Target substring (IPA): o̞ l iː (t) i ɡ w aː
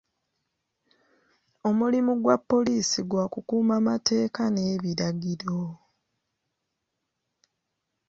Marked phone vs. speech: incorrect: s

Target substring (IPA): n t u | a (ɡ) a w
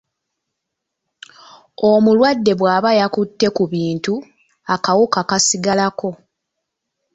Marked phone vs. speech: incorrect: k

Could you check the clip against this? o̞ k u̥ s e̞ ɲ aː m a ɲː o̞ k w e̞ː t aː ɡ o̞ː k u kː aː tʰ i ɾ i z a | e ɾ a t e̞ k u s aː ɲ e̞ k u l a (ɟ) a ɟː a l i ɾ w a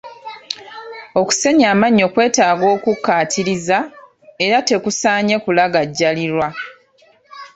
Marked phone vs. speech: incorrect: ɡ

